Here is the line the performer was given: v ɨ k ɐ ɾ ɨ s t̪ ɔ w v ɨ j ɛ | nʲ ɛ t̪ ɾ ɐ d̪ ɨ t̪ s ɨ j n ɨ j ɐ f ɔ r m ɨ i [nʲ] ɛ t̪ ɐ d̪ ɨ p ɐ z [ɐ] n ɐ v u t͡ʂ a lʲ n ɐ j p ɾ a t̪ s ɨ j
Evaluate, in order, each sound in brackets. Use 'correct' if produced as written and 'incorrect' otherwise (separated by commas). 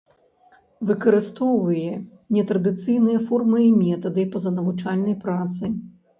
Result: incorrect, correct